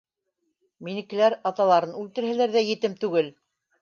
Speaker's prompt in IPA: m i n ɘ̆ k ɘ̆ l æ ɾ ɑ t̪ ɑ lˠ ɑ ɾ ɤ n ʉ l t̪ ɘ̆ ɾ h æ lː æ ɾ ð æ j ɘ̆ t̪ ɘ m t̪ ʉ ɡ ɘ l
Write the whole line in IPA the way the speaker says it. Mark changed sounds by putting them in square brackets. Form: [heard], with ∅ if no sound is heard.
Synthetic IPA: m i n ɘ̆ k ɘ̆ l æ ɾ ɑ t̪ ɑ lˠ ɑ ɾ ɤ n ʉ l t̪ ɘ̆ ɾ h æ [l] æ ɾ ð æ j ɘ̆ t̪ ɘ m t̪ ʉ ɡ ɘ l